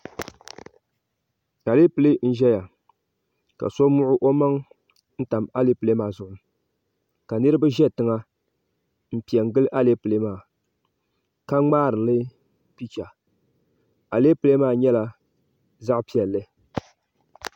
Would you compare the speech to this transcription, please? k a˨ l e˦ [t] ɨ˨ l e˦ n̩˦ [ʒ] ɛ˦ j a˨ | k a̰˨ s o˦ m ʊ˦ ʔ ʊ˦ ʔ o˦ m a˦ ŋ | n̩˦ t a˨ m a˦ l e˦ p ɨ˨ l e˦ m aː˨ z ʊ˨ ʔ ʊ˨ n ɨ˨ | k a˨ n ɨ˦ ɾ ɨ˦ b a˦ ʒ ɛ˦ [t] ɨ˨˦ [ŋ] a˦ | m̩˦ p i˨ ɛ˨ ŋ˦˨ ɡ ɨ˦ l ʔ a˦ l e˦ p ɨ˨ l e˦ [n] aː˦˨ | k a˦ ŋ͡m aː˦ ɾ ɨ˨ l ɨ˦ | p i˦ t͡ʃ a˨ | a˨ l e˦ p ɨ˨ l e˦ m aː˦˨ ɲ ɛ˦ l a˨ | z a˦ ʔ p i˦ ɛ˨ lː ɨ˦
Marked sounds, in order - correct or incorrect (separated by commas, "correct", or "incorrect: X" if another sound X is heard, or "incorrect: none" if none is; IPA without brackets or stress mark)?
incorrect: p, correct, correct, correct, incorrect: m